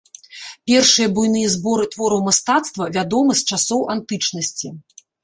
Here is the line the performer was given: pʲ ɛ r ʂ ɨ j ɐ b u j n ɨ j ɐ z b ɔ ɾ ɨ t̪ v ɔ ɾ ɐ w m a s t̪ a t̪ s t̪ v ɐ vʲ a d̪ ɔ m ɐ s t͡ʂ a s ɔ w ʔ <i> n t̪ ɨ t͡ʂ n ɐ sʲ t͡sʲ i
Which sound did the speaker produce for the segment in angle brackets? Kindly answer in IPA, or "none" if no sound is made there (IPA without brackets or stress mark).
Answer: a